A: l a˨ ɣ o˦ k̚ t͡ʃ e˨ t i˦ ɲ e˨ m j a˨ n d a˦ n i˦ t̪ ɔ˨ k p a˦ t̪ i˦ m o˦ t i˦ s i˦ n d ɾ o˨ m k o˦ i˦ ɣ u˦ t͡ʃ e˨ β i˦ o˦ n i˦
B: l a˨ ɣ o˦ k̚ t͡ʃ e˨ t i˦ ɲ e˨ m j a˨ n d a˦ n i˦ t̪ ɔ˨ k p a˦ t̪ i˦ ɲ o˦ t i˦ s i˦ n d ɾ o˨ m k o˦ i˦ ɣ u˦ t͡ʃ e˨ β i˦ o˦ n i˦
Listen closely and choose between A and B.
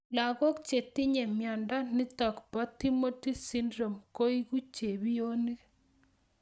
A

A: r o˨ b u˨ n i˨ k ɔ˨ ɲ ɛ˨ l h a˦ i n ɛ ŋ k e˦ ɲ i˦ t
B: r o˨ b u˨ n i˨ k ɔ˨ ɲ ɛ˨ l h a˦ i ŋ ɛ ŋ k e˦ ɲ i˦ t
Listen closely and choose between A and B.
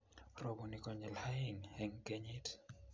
B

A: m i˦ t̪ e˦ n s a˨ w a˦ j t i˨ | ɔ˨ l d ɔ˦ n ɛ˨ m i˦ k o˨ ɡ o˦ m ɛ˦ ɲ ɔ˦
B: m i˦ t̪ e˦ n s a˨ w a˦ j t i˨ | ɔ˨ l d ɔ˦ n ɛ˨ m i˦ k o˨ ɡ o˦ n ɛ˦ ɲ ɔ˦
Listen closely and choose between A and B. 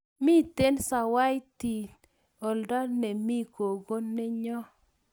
B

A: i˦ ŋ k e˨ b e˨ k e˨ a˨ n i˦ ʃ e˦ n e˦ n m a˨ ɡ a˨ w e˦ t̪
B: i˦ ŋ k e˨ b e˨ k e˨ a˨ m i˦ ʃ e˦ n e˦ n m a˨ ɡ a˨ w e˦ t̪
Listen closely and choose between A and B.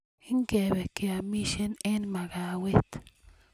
B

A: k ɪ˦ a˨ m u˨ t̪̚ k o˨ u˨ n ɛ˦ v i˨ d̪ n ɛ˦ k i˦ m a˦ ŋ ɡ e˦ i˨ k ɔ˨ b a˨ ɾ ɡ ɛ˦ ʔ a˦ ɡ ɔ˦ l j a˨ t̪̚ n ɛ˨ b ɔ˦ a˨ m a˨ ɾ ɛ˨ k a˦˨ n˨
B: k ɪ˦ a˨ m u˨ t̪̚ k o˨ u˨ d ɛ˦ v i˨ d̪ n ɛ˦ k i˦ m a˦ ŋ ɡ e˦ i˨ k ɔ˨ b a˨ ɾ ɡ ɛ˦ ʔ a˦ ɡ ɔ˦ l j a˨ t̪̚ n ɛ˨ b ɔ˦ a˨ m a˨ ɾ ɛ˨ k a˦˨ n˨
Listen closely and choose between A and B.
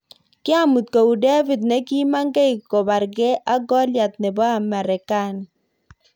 B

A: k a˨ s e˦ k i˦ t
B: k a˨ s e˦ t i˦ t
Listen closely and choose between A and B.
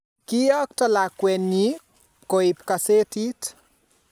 B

